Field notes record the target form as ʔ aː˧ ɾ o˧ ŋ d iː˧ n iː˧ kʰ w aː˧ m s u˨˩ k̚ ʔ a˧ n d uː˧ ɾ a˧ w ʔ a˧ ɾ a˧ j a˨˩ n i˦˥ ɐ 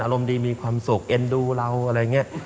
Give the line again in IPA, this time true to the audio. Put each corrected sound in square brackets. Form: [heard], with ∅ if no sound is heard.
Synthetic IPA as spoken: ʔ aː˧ ɾ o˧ [m] d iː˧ [m] iː˧ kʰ w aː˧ m s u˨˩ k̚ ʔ [e˧] n d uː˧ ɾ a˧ w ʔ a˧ ɾ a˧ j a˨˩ [ŋ] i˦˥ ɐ